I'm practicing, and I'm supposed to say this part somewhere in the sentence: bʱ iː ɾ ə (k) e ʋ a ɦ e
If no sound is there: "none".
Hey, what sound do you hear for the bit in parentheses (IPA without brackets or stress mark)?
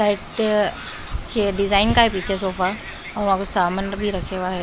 kʰ